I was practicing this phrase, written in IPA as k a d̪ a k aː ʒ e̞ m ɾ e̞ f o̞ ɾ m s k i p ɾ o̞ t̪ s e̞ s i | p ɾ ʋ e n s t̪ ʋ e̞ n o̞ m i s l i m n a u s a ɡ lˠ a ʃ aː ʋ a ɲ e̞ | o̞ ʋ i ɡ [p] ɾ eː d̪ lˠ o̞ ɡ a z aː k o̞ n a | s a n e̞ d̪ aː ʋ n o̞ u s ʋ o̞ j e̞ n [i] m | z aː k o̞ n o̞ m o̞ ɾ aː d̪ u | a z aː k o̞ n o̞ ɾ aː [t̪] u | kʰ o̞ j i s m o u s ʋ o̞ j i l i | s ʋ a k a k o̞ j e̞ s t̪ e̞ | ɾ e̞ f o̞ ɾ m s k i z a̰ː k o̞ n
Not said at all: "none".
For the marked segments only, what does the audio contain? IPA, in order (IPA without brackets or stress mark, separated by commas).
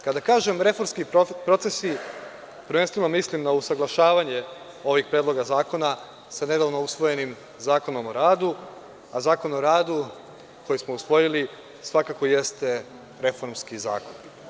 p, i, d̪